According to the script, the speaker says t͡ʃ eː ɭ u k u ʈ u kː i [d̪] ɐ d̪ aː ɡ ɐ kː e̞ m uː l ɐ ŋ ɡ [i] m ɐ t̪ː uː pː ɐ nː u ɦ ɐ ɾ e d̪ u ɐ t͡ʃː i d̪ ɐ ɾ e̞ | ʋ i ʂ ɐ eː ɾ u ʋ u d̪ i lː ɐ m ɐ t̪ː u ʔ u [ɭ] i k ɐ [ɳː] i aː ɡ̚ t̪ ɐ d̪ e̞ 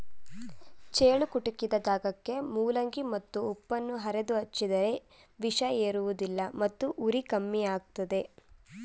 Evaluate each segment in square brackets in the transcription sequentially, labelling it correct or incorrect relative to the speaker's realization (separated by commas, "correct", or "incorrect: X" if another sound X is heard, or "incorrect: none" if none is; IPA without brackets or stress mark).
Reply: correct, correct, incorrect: ɾ, incorrect: mː